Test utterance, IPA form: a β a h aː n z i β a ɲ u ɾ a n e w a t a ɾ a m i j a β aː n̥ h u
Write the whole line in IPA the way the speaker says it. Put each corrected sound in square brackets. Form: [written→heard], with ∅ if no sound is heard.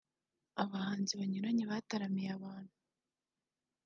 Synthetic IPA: a β a h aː n z i β a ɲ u ɾ a [n→ɲ] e [w→β] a t a ɾ a m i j a β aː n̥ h u